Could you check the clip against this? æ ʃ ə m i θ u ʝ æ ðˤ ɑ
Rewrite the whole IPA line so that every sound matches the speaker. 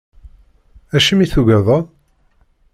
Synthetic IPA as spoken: æ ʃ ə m i θ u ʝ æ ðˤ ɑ